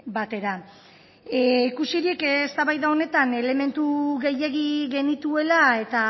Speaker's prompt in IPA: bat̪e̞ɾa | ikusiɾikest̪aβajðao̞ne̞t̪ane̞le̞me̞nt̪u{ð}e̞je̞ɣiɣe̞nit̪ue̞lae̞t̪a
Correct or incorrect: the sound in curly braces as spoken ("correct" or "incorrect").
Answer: incorrect